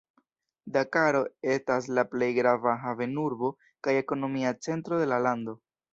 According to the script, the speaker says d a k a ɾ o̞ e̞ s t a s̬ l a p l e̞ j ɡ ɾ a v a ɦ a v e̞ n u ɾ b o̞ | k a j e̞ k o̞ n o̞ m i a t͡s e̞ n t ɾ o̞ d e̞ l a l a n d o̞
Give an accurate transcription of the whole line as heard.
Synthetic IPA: d a k a ɾ o̞ e̞ s t a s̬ l a p l e̞ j ɡ ɾ a v a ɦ a v e̞ n u ɾ b o̞ | k a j e̞ k o̞ n o̞ m i a t͡s e̞ n t ɾ o̞ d e̞ l a l a n d o̞